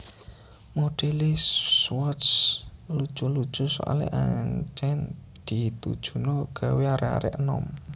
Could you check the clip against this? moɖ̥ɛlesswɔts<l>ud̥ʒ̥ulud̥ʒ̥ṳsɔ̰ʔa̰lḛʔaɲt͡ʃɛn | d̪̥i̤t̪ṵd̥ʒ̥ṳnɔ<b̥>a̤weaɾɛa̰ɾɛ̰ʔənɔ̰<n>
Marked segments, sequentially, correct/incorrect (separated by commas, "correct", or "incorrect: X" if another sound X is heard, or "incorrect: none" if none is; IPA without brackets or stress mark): correct, incorrect: ɡ̥, incorrect: m